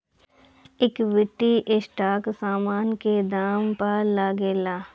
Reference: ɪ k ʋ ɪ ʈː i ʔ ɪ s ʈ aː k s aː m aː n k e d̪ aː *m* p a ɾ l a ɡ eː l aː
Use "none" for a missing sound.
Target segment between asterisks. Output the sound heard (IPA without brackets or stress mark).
m